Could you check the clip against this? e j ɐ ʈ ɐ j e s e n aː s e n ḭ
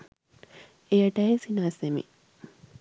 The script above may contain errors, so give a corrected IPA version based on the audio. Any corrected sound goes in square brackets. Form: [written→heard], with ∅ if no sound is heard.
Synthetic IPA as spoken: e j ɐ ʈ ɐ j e s [e→i] n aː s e [n→m] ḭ